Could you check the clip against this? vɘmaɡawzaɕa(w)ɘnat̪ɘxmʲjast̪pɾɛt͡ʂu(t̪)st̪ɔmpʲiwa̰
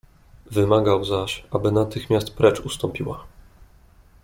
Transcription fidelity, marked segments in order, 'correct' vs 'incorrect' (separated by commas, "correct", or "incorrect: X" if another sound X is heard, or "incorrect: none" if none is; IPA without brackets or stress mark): incorrect: b, incorrect: none